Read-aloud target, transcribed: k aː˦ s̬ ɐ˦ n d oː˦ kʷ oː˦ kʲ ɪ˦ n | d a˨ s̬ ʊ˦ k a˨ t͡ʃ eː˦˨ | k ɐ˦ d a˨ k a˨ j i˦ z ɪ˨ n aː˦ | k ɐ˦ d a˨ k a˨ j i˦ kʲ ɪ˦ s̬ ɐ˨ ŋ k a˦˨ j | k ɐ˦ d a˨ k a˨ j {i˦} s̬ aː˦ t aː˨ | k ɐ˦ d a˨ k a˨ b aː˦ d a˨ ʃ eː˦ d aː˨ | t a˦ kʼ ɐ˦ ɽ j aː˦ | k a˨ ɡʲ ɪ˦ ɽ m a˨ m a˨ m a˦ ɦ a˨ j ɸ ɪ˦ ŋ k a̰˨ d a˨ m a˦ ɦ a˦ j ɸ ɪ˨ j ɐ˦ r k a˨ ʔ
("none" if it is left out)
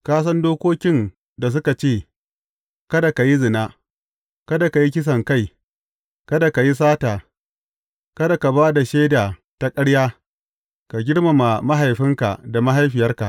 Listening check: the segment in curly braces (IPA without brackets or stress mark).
i˦